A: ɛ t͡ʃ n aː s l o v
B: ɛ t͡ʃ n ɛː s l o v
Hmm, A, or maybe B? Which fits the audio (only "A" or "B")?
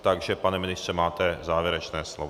B